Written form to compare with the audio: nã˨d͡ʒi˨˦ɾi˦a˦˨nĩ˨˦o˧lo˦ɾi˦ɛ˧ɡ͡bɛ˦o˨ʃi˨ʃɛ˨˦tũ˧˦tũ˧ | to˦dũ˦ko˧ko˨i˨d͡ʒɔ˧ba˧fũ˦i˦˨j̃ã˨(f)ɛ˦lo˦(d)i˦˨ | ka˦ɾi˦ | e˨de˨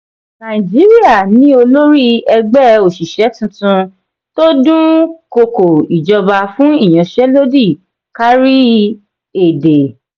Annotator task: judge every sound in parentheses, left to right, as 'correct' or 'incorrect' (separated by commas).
incorrect, correct